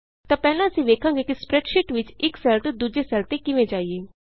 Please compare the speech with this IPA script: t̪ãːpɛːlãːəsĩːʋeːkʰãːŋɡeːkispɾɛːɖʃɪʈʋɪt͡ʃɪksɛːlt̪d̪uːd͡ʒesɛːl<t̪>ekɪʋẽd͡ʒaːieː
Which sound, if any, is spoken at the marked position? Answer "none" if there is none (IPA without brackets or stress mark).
t̪